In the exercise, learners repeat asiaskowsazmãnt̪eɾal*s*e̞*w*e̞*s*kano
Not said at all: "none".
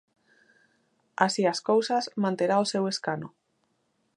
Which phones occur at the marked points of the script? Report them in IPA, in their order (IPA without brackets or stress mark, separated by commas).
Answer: s, w, s